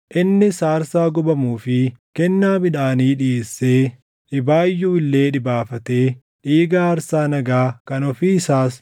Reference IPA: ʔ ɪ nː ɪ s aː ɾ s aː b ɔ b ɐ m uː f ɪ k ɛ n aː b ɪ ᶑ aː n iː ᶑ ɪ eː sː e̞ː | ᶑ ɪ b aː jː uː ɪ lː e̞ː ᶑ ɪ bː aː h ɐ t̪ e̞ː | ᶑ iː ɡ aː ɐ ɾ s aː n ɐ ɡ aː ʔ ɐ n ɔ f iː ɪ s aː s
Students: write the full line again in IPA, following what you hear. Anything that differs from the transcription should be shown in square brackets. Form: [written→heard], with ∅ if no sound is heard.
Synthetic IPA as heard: ʔ ɪ nː ɪ s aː ɾ s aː [b→ɡ] ɔ b ɐ m uː f ɪ k ɛ [n→nː] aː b ɪ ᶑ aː n iː ᶑ ɪ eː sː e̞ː | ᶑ ɪ b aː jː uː ɪ lː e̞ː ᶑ ɪ [bː→b] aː [h→f] ɐ t̪ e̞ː | ᶑ iː ɡ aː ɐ ɾ s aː n ɐ ɡ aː [ʔ→k] ɐ n ɔ f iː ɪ s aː s